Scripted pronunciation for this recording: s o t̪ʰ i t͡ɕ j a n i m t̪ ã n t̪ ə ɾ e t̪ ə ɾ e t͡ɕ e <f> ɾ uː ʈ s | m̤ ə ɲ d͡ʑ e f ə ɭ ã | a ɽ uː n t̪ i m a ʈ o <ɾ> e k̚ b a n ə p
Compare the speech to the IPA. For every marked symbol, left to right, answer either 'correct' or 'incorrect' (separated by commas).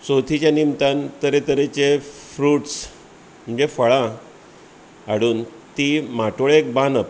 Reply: correct, incorrect